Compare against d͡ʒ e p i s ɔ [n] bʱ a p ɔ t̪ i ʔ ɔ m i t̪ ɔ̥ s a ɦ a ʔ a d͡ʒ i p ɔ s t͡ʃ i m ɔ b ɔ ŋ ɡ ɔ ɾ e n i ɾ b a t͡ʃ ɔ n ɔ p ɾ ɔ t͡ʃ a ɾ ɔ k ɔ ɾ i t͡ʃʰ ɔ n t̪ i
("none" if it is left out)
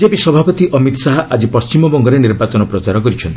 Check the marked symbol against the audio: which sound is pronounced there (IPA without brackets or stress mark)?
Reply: none